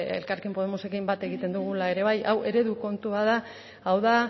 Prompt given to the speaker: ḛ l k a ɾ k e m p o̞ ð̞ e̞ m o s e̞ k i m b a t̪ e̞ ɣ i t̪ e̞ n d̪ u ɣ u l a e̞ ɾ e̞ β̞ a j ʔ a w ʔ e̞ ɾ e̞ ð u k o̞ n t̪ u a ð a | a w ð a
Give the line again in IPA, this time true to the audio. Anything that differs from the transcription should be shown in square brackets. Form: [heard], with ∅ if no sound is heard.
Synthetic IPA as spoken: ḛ l k a ɾ k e m p o̞ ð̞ e̞ m o s e̞ k i m b a t̪ e̞ ɣ i t̪ e̞ n d̪ u ɣ u l a e̞ ɾ e̞ β̞ a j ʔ a w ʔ e̞ ɾ e̞ ð u k o̞ n t̪ u a ð a | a w ð a